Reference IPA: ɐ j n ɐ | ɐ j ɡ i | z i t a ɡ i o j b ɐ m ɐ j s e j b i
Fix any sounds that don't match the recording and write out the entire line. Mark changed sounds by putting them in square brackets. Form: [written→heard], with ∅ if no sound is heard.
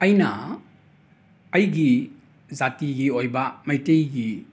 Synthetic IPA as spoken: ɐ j n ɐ | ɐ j ɡ i | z [i→a] t [a→i] ɡ i o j b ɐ m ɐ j [s→t] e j [b→ɡ] i